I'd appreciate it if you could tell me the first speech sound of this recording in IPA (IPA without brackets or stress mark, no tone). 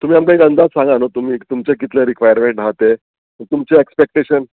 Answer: t̪